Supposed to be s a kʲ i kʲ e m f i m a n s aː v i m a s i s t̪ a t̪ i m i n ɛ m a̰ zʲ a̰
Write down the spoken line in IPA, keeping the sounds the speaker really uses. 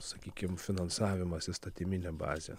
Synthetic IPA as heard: s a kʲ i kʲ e m f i n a n s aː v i m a s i s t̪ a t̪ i m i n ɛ b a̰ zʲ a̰